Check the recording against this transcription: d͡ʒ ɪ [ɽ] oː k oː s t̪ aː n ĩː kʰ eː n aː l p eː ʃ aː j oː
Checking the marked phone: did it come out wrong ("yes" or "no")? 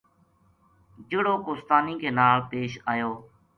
no